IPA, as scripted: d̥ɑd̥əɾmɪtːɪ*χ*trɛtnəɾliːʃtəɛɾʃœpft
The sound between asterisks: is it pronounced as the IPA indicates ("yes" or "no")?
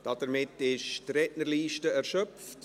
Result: no